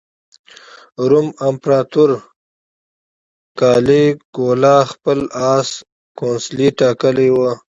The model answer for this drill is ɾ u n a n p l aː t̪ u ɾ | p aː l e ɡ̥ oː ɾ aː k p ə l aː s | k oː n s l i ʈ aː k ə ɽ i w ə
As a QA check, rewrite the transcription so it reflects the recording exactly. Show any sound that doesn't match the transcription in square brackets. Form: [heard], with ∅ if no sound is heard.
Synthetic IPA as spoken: ɾ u [m] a [m] p [ɾ] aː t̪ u ɾ | [k] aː l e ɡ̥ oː [l] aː [x] p ə l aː s | k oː n s l i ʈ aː k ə [l] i w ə